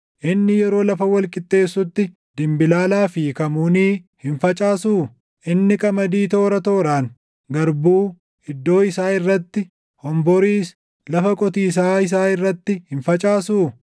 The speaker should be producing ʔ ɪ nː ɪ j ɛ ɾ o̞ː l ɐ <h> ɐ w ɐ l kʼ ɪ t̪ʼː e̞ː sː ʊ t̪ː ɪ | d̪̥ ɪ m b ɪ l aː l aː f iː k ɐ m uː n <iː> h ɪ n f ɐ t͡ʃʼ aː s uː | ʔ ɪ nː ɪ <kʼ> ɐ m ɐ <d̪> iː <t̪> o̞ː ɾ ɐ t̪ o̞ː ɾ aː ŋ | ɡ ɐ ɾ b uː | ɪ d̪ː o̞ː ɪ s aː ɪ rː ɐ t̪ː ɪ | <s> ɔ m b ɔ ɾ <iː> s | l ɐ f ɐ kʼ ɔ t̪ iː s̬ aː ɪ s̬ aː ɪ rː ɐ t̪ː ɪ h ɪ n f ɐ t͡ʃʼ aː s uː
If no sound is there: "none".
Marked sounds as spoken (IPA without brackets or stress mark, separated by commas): f, iː, kʼ, d̪, t̪, h, iː